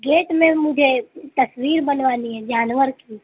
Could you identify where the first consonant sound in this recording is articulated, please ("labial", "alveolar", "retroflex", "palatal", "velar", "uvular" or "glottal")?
velar